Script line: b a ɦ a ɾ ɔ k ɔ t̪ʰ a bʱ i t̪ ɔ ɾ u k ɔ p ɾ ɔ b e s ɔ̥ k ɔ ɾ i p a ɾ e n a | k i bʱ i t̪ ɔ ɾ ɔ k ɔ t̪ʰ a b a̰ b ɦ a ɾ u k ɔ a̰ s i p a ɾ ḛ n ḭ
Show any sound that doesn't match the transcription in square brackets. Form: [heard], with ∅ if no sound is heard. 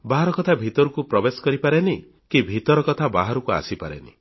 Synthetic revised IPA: b a ɦ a ɾ ɔ k ɔ t̪ʰ a bʱ i t̪ ɔ ɾ u k [u] p ɾ ɔ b e s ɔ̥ k ɔ ɾ i p a ɾ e n [i] | k i bʱ i t̪ ɔ ɾ ɔ k ɔ t̪ʰ a b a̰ [∅] ɦ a ɾ u k [u] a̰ s i p a ɾ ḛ n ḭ